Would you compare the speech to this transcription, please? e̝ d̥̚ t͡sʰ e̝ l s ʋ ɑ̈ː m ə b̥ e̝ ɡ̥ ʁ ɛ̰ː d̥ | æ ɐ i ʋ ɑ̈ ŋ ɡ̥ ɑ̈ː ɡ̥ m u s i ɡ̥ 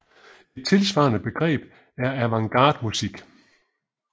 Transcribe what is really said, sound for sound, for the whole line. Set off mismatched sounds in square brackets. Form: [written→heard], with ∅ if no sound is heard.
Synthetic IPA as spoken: e̝ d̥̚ t͡sʰ e̝ l s ʋ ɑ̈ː [m→n] ə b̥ e̝ ɡ̥ ʁ ɛ̰ː [d̥→b̥] | æ ɐ [i→æ] ʋ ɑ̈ ŋ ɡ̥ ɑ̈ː [ɡ̥→d̥] m u s i ɡ̥